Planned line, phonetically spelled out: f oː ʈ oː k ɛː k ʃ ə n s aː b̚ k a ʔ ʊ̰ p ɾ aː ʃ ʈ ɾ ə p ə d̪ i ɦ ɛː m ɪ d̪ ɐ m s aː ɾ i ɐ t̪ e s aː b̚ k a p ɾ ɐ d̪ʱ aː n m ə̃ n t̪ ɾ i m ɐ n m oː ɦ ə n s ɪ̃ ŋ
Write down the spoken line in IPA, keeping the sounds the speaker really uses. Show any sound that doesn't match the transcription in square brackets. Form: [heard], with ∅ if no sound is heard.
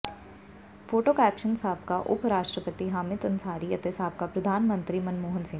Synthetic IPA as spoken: f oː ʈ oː k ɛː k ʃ ə n s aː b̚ k a ʔ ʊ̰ p ɾ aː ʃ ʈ ɾ ə p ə [t̪] i ɦ [aː] m ɪ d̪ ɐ [n] s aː ɾ i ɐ t̪ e s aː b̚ k a p ɾ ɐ d̪ʱ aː n m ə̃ n t̪ ɾ i m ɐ n m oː ɦ ə n s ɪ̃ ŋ

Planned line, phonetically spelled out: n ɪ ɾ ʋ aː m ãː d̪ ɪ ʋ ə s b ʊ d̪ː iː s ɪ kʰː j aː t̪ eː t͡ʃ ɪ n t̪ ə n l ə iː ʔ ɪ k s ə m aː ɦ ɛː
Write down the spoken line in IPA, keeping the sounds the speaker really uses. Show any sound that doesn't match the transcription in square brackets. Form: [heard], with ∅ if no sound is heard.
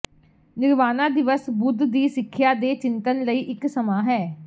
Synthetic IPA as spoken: n ɪ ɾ ʋ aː [n] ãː d̪ ɪ ʋ ə s b ʊ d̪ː iː s ɪ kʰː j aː [d̪] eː t͡ʃ ɪ n t̪ ə n l ə iː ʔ ɪ k s ə m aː ɦ ɛː

